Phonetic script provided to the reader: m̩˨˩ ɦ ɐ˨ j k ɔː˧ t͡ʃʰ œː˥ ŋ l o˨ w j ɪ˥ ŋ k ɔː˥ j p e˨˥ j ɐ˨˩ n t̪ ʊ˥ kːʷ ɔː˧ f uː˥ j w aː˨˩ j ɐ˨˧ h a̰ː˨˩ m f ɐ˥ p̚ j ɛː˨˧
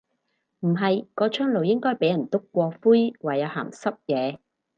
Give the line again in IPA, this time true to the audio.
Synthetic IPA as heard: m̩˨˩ ɦ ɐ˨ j k ɔː˧ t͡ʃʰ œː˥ ŋ l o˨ w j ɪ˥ ŋ k ɔː˥ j p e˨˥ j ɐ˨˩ n t̪ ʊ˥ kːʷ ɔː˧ f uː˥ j w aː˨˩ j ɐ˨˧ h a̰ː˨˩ m s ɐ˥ p̚ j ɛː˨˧